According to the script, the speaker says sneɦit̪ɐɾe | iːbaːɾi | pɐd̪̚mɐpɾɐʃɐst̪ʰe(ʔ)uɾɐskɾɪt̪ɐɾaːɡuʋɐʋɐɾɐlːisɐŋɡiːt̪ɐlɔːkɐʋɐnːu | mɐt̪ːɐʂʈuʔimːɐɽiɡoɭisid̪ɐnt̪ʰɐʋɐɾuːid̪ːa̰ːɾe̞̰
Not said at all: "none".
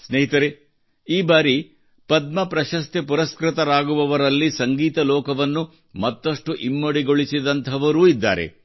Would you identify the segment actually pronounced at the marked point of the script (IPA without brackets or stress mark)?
p